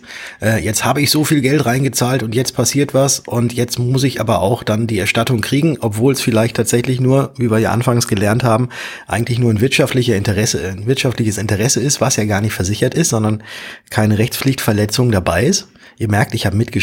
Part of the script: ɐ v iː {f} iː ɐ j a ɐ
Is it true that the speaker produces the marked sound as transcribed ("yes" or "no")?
no